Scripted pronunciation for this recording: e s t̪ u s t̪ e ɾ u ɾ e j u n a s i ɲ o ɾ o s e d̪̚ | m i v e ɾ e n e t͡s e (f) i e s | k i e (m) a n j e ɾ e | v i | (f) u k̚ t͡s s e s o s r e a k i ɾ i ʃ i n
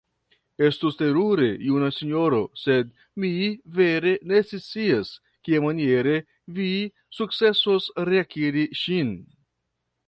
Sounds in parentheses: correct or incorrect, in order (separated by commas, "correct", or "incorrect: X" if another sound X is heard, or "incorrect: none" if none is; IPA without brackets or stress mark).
incorrect: s, correct, incorrect: s